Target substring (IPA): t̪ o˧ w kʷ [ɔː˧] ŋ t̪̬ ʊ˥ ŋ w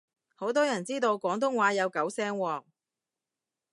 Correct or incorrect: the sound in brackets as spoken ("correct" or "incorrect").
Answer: incorrect